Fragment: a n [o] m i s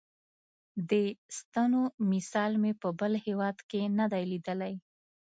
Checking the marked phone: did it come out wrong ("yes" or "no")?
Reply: no